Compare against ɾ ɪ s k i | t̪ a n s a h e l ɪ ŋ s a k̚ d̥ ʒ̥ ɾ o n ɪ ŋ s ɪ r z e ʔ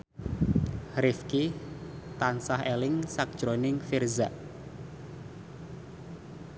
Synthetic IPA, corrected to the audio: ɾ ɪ f k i | t̪ a n s a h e l ɪ ŋ s a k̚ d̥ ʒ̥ ɾ o n ɪ ŋ f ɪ r z a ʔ